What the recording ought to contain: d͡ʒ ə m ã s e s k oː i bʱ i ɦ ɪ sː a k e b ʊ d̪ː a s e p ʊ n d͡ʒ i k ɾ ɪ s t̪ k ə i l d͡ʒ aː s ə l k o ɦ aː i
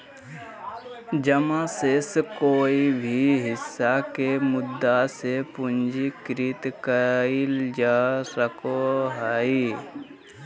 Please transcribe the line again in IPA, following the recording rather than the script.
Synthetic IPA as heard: d͡ʒ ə m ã s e s k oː i bʱ i ɦ ɪ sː a k e m ʊ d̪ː a s e p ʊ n d͡ʒ i k ɾ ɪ t̪ k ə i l d͡ʒ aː s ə k o ɦ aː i